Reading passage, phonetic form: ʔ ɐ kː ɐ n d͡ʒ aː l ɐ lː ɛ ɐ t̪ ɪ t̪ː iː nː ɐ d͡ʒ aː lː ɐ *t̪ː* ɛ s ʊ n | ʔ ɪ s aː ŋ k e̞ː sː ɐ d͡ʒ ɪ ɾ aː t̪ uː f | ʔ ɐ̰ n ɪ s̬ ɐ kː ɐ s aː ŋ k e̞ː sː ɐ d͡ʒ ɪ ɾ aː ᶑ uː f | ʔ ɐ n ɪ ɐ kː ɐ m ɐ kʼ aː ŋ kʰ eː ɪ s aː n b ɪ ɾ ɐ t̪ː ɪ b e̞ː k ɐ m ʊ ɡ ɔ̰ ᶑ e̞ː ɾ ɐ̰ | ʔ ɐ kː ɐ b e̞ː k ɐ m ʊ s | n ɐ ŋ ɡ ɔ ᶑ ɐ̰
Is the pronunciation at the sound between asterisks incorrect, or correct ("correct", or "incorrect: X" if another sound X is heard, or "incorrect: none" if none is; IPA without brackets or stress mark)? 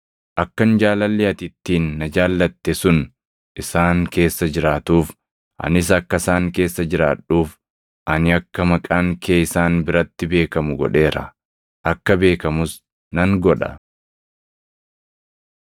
correct